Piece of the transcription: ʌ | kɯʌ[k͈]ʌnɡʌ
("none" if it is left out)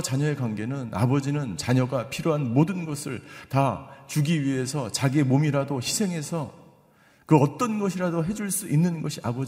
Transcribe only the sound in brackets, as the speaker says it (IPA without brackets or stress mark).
t͈